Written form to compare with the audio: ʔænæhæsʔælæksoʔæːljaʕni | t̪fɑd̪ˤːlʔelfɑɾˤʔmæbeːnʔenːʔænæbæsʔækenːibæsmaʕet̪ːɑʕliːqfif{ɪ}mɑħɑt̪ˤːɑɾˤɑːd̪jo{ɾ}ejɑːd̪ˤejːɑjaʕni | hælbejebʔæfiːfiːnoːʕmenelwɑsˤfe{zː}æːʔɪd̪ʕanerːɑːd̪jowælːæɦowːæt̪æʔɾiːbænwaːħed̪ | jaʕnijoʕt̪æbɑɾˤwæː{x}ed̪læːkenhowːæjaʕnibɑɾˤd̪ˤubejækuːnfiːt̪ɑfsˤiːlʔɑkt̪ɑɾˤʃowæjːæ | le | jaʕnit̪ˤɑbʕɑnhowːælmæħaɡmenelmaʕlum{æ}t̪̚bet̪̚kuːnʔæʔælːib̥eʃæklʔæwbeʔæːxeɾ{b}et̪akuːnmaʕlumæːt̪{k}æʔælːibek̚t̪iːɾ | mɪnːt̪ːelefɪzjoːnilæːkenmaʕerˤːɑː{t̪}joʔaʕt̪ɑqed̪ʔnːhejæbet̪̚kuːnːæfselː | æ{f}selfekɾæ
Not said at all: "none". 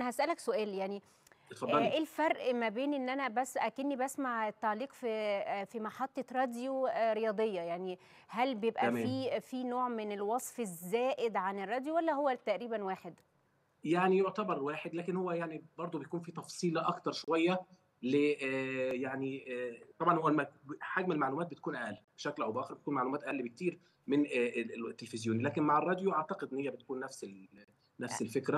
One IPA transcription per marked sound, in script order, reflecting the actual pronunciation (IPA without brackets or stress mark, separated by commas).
i, ɾ, zː, ħ, æː, b, ʔ, d̪, f